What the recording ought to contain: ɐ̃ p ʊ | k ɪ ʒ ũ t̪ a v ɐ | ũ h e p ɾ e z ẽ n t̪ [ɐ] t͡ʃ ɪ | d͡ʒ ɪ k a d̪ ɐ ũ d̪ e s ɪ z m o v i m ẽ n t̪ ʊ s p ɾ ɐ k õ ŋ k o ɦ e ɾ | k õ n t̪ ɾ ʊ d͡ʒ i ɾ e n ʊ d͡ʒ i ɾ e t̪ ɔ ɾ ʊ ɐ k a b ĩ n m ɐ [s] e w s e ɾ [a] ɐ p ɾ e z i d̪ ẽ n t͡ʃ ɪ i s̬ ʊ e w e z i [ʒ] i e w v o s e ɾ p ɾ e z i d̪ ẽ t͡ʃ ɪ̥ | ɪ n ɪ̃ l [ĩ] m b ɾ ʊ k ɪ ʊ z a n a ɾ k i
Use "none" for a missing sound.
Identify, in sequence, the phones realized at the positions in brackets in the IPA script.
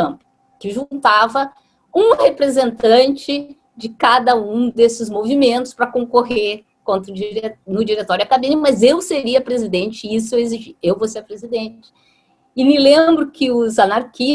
ɐ̃, z, i, ʒ, ẽ

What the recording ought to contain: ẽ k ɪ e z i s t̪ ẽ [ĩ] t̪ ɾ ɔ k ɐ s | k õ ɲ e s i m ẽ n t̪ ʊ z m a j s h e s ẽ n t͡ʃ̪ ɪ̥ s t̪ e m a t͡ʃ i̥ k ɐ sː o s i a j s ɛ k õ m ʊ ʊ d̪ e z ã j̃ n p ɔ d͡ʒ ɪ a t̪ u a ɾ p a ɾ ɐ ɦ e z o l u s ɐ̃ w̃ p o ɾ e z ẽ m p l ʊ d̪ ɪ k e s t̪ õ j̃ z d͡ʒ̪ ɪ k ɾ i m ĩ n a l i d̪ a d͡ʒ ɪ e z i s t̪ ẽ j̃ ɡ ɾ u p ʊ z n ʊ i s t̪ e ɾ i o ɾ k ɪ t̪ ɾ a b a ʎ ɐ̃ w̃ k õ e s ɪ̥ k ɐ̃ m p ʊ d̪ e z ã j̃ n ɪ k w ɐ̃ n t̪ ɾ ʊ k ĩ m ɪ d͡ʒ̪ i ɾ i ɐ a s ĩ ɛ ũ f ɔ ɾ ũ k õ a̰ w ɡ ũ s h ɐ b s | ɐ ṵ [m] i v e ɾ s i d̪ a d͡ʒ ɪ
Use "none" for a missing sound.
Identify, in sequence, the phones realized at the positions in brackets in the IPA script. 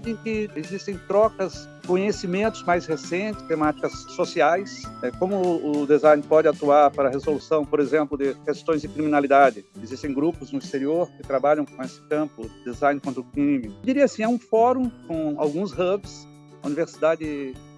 j̃, n

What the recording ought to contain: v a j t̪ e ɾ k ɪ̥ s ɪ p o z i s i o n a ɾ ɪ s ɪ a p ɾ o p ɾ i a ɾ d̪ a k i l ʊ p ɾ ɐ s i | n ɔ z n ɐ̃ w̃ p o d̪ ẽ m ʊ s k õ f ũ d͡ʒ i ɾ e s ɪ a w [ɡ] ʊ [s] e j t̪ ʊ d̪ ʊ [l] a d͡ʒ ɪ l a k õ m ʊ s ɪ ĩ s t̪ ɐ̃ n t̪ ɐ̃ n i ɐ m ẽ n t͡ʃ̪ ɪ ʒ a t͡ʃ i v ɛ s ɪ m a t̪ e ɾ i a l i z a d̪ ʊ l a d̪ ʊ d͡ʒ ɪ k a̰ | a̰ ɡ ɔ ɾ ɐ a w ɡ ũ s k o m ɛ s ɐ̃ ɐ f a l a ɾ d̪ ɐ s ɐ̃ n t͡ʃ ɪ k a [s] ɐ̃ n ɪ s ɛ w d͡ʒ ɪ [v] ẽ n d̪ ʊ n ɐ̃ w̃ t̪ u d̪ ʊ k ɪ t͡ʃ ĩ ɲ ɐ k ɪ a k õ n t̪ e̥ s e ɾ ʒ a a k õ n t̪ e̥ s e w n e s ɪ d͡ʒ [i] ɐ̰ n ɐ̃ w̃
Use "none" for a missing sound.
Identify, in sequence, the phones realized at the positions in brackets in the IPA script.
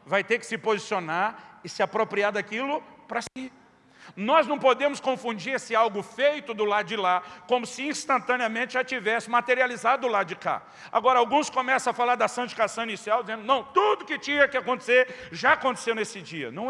ɡ, f, l, s, z, i

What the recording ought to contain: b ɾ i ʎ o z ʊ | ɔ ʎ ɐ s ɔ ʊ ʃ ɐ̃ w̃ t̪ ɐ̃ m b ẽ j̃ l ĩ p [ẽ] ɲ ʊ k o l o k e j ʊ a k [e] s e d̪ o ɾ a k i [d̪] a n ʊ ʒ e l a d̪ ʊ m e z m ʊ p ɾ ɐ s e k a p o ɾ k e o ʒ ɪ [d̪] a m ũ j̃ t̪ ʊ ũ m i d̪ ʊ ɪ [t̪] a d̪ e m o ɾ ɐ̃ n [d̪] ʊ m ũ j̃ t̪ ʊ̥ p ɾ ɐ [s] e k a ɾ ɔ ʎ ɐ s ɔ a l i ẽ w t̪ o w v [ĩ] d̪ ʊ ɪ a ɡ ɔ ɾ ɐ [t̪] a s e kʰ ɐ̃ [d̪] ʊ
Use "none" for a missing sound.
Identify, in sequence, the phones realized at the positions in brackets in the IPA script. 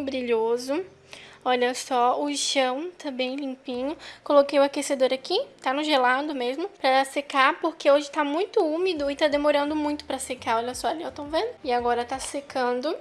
ĩ, e, t̪, t̪, t̪, d̪, s, ẽ, t̪, d̪

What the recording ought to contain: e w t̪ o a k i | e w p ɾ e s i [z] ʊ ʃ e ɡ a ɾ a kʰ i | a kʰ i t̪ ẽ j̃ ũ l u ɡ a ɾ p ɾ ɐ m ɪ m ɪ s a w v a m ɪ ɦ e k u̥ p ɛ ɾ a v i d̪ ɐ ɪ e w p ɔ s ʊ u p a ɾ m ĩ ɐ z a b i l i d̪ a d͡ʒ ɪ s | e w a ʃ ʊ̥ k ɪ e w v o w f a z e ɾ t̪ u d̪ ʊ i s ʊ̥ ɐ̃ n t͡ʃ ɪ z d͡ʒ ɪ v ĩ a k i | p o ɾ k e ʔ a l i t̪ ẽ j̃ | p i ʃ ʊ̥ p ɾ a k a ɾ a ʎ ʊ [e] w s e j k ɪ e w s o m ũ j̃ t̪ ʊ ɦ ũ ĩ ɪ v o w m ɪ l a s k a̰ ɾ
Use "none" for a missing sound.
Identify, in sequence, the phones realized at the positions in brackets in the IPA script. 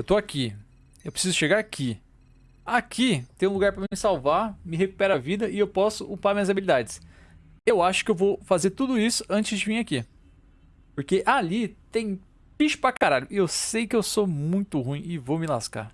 z, e

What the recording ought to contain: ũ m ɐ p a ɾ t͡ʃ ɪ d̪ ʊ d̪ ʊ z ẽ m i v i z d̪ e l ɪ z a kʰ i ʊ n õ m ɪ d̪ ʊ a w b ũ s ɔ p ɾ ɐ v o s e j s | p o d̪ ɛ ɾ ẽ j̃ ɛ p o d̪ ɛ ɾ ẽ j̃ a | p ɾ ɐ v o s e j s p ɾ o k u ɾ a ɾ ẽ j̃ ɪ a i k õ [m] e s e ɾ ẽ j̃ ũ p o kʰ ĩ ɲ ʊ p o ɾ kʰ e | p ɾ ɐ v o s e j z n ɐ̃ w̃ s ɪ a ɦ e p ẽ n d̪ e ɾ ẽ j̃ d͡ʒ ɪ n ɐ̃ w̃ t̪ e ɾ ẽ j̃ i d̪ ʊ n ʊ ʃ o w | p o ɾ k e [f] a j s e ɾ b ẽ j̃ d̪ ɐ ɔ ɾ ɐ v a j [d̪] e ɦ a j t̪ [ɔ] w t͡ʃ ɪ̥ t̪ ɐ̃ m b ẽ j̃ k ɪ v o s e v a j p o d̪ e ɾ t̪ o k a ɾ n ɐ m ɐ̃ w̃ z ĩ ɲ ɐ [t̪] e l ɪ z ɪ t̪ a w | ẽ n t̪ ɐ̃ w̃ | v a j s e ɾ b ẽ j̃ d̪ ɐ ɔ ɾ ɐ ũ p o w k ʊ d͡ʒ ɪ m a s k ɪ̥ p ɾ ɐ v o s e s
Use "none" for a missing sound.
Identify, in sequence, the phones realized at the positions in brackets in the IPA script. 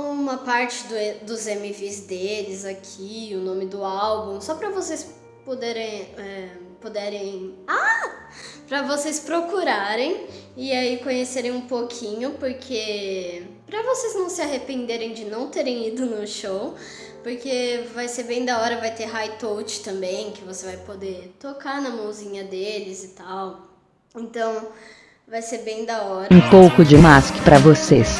ɲ, v, t̪, o, d̪

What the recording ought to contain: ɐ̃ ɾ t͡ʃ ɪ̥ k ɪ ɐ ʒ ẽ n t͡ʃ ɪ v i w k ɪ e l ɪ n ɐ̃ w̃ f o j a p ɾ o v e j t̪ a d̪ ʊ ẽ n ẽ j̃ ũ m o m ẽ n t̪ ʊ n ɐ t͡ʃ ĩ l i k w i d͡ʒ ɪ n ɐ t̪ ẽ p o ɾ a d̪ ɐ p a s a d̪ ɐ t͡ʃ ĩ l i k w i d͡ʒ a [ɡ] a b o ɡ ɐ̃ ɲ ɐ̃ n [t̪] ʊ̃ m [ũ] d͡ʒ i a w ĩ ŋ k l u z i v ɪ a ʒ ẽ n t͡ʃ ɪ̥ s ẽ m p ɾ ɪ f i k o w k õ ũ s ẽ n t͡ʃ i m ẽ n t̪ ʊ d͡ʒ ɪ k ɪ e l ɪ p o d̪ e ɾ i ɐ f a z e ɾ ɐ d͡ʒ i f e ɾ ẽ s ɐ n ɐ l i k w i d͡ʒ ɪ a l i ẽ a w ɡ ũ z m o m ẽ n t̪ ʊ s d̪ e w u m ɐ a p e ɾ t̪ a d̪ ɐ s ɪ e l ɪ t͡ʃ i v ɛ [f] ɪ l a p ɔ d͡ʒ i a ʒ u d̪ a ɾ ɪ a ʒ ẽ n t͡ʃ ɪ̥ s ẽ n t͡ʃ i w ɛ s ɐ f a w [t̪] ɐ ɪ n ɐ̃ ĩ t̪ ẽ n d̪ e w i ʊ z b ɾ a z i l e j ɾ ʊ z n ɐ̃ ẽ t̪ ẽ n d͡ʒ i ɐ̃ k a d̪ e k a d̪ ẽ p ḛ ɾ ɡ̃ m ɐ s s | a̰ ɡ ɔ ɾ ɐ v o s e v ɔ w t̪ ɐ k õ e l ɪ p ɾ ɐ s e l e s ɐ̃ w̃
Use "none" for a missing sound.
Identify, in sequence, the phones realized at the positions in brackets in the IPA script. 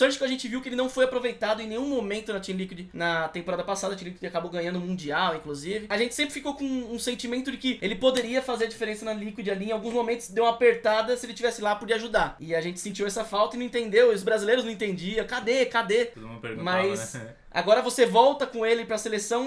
k, d̪, ũ, s, t̪

